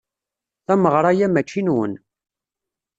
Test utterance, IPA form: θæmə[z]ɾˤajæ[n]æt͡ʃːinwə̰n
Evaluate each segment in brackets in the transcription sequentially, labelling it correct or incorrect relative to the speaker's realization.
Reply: incorrect: ʁ, incorrect: m

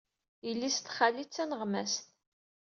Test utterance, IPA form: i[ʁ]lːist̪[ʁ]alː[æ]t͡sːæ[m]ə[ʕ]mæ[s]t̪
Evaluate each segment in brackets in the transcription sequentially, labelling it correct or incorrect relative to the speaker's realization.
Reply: incorrect: none, incorrect: χ, incorrect: i, incorrect: n, incorrect: ʁ, correct

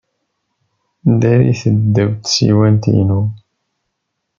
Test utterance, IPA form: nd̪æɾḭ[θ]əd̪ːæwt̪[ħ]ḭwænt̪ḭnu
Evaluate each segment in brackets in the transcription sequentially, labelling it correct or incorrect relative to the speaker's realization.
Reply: correct, incorrect: s

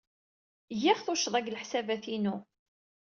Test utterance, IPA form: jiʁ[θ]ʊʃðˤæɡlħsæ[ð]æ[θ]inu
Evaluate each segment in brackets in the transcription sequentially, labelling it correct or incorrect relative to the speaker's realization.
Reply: correct, incorrect: v, correct

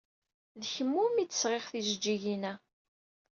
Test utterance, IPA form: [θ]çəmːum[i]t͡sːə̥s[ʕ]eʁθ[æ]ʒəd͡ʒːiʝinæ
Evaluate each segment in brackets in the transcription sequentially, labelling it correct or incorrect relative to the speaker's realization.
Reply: incorrect: ð, correct, incorrect: ʁ, incorrect: i

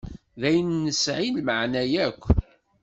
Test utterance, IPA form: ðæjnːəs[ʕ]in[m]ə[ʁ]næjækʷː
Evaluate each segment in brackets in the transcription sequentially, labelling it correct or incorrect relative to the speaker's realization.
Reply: correct, correct, incorrect: ʕ

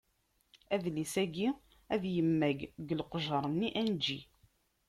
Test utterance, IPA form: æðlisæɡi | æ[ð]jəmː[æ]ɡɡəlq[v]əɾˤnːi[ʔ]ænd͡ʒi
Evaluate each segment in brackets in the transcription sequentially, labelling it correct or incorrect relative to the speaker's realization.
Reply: correct, correct, incorrect: ʒ, correct

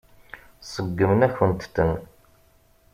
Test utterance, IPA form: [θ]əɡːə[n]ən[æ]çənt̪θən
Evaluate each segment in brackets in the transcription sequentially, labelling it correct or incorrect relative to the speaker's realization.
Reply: incorrect: s, incorrect: m, correct

